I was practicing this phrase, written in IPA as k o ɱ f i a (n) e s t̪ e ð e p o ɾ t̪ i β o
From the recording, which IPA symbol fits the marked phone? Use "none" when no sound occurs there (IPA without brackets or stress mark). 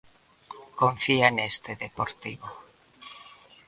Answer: n